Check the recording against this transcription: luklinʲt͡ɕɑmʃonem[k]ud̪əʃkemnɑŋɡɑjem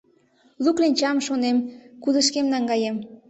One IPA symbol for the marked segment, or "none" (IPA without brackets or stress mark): k